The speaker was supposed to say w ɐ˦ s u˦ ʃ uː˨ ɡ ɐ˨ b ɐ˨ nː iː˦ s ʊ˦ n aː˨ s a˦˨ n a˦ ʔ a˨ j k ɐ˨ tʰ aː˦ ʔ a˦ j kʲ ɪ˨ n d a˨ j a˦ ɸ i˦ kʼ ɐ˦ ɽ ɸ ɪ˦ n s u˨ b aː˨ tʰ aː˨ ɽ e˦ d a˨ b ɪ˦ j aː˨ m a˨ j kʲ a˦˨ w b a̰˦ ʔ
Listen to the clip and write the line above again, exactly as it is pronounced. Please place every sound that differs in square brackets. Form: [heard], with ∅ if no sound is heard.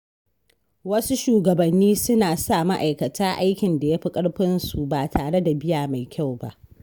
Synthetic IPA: w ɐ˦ s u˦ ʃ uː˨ ɡ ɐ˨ b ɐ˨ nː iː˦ s ʊ˦ n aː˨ s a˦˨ [m] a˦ ʔ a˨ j k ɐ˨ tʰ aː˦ ʔ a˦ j kʲ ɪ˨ n d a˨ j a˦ ɸ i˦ kʼ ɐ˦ ɽ ɸ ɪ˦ n s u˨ b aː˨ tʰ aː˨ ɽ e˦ d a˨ b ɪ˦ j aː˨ m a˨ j kʲ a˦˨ w b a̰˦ ʔ